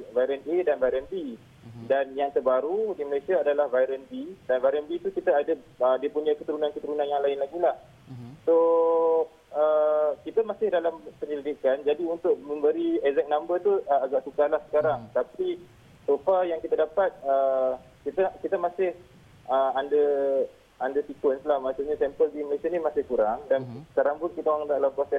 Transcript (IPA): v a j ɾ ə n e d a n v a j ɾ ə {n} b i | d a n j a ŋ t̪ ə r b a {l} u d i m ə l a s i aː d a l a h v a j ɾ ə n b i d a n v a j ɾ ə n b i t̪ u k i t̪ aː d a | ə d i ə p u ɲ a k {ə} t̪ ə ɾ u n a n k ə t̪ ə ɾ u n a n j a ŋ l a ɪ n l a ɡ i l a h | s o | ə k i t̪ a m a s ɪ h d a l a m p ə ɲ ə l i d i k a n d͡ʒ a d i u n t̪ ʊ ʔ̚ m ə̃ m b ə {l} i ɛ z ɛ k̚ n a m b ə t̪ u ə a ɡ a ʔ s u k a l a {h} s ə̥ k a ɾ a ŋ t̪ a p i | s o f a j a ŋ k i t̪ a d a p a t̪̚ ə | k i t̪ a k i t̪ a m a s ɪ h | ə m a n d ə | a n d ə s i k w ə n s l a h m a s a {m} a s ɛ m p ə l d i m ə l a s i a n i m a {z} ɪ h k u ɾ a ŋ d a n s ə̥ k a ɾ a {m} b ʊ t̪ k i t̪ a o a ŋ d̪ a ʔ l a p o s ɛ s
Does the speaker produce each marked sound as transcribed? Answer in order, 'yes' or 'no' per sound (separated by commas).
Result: yes, no, yes, no, yes, no, no, no